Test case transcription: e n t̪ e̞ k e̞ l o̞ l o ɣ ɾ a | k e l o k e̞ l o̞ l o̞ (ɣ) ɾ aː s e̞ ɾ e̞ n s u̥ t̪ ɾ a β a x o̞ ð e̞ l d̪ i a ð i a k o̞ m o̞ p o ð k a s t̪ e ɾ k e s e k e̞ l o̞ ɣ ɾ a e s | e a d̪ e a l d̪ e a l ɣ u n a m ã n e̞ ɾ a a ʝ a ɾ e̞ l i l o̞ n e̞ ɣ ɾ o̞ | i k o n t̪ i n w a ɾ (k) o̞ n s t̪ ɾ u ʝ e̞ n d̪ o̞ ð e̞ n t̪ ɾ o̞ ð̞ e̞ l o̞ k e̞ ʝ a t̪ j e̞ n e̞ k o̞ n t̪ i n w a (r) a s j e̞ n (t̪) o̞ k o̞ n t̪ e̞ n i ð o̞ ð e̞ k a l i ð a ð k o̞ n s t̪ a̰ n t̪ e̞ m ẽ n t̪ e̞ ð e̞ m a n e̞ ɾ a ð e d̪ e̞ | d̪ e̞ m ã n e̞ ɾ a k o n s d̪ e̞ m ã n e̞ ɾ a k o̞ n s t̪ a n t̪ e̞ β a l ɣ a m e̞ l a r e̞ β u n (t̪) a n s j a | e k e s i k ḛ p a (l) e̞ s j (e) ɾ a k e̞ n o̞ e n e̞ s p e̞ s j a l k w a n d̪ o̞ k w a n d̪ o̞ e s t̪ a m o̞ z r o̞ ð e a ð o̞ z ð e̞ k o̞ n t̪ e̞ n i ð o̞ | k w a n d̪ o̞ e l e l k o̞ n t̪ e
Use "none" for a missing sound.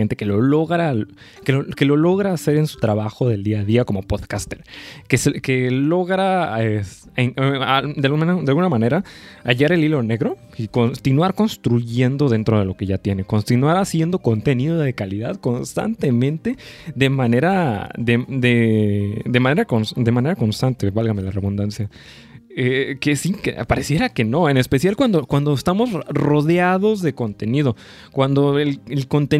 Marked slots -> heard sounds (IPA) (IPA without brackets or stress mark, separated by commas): ɣ, k, ɾ, d̪, d̪, ɾ, e